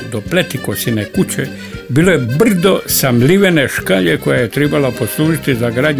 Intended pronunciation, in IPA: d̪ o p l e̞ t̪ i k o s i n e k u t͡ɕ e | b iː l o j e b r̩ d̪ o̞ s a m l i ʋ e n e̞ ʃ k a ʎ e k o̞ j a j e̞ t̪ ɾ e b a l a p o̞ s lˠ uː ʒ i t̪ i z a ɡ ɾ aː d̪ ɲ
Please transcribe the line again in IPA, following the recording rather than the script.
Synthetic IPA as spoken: d̪ o p l e̞ t̪ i k o s i n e k u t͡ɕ e | b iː l o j e b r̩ d̪ o̞ s a m l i ʋ e n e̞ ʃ k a ʎ e k o̞ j a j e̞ t̪ ɾ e b a l a p o̞ s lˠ uː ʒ i t̪ i z a ɡ ɾ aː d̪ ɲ